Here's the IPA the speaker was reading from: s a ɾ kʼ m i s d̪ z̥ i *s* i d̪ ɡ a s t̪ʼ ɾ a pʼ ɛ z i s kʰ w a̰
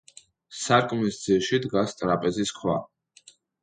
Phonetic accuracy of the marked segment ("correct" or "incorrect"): incorrect